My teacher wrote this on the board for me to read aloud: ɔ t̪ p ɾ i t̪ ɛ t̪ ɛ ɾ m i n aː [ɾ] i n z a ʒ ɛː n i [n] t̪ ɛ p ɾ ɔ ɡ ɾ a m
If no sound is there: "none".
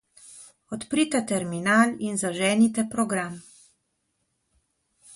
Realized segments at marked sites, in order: l, none

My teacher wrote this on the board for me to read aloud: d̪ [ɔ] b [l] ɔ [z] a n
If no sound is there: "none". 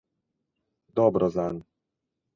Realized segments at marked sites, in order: ɔ, ɾ, z

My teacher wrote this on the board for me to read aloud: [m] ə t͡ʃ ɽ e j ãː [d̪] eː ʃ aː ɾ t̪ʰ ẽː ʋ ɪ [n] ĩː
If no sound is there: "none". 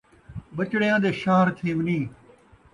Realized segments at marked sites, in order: b, d̪, n

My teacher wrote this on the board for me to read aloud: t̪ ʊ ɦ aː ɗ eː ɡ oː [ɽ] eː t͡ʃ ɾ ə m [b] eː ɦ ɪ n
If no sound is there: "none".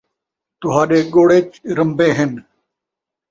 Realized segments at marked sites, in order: ɽ, b

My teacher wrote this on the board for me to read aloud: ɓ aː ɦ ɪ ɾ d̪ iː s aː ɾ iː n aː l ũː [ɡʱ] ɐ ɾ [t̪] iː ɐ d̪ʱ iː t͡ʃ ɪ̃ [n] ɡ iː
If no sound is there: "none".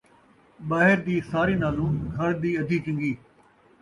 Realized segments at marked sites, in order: ɡʱ, d̪, ŋ

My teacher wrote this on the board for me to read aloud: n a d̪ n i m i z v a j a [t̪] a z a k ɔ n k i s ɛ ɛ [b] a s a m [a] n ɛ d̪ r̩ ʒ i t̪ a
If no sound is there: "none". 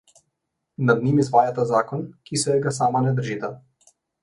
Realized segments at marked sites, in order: t̪, ɡ, a

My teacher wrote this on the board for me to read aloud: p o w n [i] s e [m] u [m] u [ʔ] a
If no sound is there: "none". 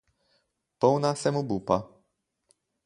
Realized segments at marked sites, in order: a, m, b, p

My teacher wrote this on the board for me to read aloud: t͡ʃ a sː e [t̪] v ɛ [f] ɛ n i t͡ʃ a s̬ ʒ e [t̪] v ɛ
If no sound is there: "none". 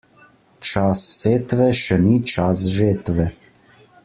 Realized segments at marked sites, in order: t̪, ʃ, t̪

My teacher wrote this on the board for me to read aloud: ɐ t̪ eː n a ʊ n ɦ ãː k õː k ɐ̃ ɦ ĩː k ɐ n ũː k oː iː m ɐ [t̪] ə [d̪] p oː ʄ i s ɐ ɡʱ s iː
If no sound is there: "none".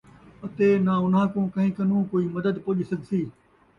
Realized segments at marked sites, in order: d̪, d̪

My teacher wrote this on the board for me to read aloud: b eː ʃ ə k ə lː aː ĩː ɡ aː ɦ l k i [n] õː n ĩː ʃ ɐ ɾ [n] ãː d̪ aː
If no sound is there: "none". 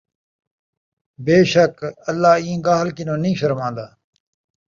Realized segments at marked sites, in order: n, m

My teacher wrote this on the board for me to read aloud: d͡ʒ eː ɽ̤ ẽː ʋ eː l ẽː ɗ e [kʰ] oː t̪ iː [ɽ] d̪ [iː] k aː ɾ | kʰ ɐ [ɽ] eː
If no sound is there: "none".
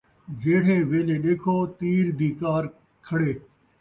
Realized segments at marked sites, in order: kʰ, ɾ, iː, ɽ

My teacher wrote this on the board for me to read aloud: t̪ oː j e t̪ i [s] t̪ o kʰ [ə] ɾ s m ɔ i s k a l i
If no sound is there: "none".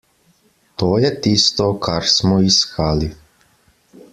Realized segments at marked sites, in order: s, a

